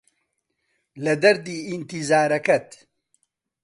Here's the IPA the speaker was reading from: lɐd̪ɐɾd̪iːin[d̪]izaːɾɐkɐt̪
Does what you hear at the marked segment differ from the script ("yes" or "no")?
yes